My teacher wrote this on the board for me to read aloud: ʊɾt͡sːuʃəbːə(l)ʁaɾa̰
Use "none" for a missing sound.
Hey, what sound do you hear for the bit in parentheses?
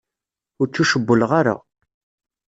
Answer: l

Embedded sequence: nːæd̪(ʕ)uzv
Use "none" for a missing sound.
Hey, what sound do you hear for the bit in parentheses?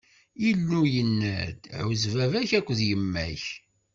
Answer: ʕ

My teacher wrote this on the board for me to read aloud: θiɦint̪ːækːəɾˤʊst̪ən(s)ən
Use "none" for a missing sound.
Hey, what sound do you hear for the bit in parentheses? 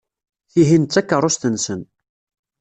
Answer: s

